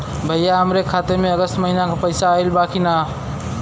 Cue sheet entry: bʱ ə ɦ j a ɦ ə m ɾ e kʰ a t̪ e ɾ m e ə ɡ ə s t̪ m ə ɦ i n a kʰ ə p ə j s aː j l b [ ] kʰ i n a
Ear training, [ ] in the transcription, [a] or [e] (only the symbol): a